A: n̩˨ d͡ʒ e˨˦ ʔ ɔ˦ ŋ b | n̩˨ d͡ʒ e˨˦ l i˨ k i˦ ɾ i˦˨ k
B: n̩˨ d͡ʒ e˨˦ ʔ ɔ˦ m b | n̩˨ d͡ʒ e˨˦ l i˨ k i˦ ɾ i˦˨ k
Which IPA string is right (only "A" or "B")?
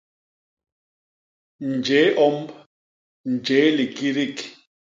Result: B